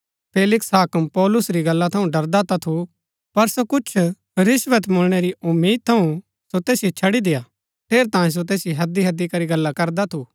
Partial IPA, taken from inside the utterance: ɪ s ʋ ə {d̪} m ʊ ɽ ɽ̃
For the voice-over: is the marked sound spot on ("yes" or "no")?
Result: no